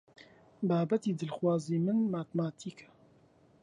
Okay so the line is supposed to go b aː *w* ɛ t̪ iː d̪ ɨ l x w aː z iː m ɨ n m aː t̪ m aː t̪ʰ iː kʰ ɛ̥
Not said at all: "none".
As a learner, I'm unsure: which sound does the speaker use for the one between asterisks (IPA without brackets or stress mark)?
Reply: b